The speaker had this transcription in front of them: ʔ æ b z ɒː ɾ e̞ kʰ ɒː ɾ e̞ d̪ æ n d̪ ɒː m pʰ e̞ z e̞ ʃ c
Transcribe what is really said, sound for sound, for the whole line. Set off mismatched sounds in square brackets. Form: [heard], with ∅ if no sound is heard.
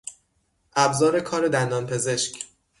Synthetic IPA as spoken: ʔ æ b z ɒː ɾ e̞ kʰ ɒː ɾ e̞ d̪ æ n d̪ ɒː [n] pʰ e̞ z e̞ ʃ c